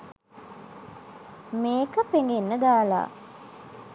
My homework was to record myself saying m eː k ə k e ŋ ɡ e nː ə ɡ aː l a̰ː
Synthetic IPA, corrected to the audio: m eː k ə p e ŋ ɡ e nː ə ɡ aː l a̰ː